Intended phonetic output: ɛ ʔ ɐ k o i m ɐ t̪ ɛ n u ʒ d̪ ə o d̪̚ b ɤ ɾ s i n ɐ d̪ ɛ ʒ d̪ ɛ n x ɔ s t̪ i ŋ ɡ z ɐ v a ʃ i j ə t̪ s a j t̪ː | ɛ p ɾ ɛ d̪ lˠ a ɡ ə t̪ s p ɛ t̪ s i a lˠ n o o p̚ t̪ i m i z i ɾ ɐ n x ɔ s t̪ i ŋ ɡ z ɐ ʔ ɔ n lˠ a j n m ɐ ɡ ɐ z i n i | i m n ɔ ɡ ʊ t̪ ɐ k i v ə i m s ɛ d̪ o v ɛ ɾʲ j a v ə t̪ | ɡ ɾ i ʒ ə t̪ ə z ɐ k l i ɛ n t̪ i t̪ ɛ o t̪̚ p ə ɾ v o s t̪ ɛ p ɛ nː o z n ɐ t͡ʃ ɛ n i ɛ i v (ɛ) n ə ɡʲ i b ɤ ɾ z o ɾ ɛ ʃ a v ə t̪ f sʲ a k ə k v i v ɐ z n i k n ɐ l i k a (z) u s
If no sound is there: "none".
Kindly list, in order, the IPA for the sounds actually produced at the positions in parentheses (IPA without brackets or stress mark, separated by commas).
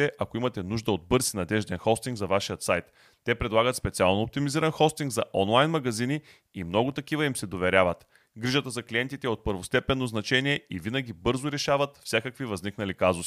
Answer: i, z